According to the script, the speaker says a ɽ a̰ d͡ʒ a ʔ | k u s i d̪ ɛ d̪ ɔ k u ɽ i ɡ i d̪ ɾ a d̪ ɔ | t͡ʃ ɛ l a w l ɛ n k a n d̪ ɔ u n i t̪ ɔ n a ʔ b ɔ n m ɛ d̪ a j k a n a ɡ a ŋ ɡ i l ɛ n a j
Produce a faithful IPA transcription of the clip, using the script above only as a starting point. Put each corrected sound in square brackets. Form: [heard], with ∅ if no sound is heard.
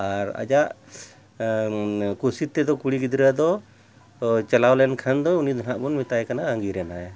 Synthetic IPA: a [ɾ] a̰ d͡ʒ a ʔ | k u s i [t̪] ɛ d̪ ɔ k u ɽ i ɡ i d̪ ɾ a d̪ ɔ | t͡ʃ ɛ l a w l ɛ n [kʰ] a n d̪ ɔ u n i [d̪] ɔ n a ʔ b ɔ n m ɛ [t̪] a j k a n a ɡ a ŋ ɡ i [ɾ] ɛ n a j